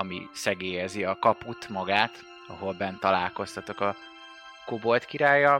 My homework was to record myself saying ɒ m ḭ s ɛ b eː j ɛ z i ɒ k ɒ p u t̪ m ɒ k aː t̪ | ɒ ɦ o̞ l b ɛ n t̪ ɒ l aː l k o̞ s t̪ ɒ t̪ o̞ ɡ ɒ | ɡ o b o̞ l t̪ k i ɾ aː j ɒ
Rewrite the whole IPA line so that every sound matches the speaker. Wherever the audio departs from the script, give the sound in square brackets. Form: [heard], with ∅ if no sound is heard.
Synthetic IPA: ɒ m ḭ s ɛ [ɡ] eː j ɛ z i ɒ k ɒ p u t̪ m ɒ [ɡ] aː t̪ | ɒ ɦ o̞ l b ɛ n t̪ ɒ l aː l k o̞ s t̪ ɒ t̪ o̞ [k] ɒ | [k] o b o̞ l t̪ k i ɾ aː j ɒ